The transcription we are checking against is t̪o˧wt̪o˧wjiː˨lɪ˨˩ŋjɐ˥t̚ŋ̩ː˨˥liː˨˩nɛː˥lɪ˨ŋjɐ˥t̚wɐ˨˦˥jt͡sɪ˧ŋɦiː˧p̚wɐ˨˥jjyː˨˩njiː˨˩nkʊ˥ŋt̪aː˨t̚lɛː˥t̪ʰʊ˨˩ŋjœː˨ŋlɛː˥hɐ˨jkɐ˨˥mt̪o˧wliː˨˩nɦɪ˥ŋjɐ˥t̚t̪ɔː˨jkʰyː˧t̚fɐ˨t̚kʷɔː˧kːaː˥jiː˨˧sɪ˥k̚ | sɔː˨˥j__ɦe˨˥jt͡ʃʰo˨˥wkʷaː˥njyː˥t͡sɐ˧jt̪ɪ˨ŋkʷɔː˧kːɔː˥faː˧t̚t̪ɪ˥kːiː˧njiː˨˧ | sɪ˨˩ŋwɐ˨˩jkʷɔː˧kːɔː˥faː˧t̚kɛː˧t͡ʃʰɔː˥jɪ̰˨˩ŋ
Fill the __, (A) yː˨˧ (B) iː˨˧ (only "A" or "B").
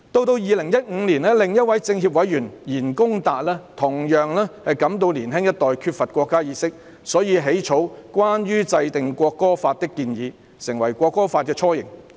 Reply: B